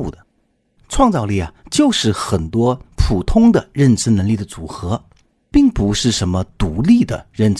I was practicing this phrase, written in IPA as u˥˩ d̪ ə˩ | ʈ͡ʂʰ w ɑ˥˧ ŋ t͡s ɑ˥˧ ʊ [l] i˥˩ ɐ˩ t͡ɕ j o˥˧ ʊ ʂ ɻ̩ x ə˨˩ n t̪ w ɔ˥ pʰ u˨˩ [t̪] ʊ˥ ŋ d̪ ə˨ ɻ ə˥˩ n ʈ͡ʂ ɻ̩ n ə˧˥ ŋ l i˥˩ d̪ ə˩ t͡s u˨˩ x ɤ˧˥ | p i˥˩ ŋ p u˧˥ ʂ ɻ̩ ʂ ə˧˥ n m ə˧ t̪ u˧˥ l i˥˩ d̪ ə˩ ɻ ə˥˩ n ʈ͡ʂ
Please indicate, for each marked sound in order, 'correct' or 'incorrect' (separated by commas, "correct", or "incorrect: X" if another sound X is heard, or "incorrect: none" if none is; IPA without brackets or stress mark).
correct, incorrect: t̪ʰ